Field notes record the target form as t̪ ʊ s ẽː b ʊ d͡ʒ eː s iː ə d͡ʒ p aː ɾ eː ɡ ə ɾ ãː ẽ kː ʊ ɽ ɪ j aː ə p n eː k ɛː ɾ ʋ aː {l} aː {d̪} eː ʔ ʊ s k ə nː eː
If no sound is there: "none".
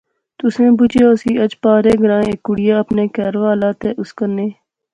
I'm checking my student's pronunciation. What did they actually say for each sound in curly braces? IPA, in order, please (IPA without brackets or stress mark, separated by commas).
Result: l, t̪